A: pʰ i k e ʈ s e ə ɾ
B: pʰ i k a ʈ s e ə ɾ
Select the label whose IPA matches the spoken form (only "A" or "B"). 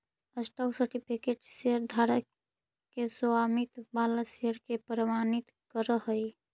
A